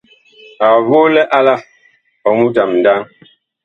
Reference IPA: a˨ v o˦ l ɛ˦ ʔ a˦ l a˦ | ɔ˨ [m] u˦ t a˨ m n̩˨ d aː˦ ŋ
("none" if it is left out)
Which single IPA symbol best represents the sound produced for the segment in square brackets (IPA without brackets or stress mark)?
m